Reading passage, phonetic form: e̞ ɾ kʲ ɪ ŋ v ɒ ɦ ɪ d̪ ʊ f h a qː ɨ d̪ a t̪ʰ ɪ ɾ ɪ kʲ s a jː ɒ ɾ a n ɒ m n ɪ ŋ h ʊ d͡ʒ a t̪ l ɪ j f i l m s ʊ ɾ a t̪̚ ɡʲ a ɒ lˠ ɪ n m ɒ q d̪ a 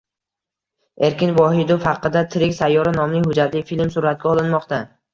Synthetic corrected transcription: e̞ ɾ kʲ ɪ n v ɒ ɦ ɪ d̪ ʊ f h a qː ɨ d̪ a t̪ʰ ɪ ɾ ɪ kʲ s a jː ɒ ɾ a n ɒ m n ɪ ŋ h ʊ d͡ʒ a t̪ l ɪ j f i l m s ʊ ɾ a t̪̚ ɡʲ a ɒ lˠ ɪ n m ɒ q t̪ a